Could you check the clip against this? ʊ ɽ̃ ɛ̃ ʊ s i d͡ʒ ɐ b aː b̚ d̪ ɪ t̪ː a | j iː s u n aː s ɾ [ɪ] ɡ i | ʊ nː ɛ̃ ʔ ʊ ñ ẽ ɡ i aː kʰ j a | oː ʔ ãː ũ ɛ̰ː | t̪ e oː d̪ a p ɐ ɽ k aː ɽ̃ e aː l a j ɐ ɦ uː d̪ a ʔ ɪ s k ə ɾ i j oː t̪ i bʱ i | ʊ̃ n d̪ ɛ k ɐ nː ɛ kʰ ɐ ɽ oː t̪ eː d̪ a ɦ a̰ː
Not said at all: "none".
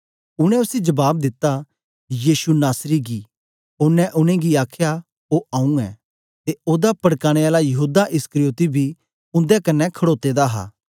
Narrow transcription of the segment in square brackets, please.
i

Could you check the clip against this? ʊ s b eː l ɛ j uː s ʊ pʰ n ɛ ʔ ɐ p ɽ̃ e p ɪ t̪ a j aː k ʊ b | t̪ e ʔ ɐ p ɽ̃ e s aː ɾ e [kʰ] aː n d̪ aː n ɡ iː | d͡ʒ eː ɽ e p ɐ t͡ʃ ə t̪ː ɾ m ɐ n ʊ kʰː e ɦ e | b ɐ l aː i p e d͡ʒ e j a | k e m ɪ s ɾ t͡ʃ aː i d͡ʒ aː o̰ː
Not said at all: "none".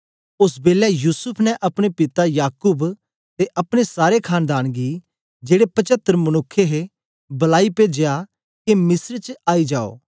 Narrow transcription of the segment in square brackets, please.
kʰ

